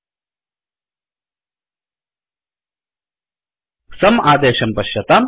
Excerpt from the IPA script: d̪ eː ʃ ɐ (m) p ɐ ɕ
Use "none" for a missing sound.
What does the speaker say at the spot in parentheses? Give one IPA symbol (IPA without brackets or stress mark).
m